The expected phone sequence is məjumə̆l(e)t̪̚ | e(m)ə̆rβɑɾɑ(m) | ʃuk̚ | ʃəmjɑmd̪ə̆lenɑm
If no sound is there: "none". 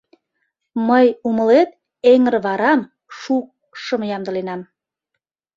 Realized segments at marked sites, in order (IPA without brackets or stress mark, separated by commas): e, ŋ, m